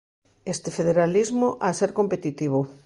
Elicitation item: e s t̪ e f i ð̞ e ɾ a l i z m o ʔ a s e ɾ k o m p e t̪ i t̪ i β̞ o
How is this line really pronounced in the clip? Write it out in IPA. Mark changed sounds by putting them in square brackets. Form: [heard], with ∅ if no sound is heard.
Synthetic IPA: e s t̪ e f [e] ð̞ e ɾ a l i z m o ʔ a s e ɾ k o m p e t̪ i t̪ i β̞ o